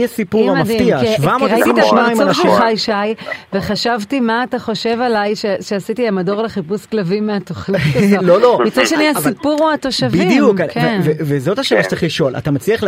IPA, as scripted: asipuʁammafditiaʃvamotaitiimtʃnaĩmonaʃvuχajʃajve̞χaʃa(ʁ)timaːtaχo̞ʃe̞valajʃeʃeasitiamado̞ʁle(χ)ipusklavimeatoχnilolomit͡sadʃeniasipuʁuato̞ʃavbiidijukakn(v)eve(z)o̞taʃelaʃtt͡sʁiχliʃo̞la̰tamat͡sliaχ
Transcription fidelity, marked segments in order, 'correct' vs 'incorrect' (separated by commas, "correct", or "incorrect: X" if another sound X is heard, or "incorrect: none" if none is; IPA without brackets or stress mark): incorrect: v, correct, correct, correct